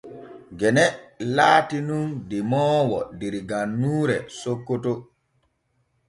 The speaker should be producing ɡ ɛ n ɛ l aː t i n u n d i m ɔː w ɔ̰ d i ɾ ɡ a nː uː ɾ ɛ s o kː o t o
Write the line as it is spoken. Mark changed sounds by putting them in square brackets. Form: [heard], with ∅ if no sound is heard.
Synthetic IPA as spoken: ɡ ɛ n ɛ l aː t i n u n d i m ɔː w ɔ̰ d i ɾ ɡ a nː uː ɾ ɛ s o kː o t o